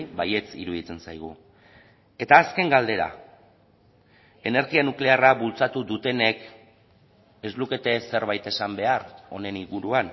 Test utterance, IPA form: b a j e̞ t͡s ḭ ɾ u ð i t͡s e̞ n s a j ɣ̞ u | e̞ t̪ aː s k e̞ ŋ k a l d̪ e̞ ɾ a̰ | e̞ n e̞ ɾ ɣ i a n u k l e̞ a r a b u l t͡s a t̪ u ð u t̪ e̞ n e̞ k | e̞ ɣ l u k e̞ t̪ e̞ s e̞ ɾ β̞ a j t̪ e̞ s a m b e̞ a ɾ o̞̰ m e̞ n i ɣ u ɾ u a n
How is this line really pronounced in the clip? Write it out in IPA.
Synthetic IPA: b a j e̞ t͡s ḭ ɾ u ð i t͡s e̞ n s a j ɣ̞ u | e̞ t̪ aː s k e̞ ŋ ɡ a l d̪ e̞ ɾ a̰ | e̞ n e̞ ɾ ɣ i a n u k l e̞ a r a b u l t͡s a t̪ u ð u t̪ e̞ n e̞ k | e̞ z l u k e̞ t̪ e̞ s e̞ ɾ β̞ a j t̪ e̞ s a m b e̞ a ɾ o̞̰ n e̞ n i ɣ u ɾ u a n